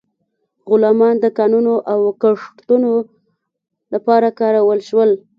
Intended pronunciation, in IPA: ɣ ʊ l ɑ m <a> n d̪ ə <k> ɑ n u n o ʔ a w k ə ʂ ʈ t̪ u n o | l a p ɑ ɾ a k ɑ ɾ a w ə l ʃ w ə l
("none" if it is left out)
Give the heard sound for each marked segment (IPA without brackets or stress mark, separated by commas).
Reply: ɑ, k